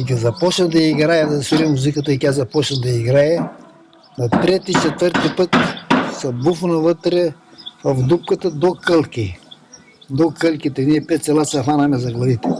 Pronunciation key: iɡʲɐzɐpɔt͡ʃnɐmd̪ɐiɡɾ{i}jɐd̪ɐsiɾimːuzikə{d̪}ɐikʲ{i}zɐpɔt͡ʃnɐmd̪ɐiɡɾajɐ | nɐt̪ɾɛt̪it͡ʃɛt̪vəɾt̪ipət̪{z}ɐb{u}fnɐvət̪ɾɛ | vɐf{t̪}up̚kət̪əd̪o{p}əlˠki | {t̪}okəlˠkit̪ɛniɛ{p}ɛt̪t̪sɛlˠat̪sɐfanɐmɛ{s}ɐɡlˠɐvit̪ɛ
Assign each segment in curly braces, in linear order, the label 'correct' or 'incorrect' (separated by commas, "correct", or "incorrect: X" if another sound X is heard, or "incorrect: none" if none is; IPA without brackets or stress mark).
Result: incorrect: a, incorrect: t̪, incorrect: a, incorrect: s, correct, incorrect: d̪, incorrect: k, incorrect: d̪, correct, incorrect: z